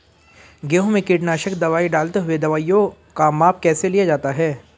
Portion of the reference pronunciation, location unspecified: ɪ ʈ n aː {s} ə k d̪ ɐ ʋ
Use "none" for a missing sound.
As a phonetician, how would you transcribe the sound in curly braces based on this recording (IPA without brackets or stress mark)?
ʃ